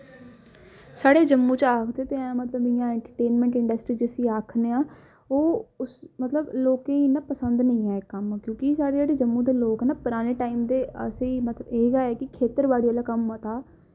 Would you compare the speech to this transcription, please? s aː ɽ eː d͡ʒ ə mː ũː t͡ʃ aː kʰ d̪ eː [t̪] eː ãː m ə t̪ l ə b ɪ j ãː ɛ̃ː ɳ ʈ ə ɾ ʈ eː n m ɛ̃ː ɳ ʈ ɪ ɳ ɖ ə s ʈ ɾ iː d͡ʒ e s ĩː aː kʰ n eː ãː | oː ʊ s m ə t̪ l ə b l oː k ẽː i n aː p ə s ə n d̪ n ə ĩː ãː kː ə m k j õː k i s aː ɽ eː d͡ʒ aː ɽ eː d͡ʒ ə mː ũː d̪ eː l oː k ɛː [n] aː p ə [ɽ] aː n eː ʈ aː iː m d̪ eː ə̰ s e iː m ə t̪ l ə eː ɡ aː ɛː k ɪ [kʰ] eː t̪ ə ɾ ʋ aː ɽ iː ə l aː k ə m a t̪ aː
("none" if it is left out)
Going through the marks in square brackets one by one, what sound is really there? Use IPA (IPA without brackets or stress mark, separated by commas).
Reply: t̪, n, ɾ, kʰ